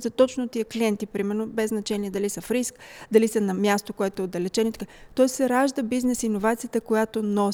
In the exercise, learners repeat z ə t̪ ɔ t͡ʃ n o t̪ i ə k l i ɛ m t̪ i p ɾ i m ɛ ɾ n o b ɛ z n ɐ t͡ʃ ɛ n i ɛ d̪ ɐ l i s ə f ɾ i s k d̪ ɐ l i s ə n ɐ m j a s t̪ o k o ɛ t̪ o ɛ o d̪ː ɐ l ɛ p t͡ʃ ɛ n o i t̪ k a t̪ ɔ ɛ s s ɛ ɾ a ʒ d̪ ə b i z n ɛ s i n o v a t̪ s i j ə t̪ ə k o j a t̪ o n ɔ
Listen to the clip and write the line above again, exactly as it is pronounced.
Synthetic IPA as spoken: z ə t̪ ɔ t͡ʃ n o t̪ i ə k l i ɛ n t̪ i p ɾ i m ɛ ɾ n o b ɛ z n ɐ t͡ʃ ɛ n i ɛ d̪ ɐ l i s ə f ɾ i s k d̪ ɐ l i s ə n ɐ m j a s t̪ o k o ɛ t̪ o ɛ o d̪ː ɐ l ɛ t͡ʃ ɛ n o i t̪ k a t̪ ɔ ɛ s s ɛ ɾ a ʒ d̪ ə b i z n ɛ s i n o v a t̪ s i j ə t̪ ə k o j a t̪ o n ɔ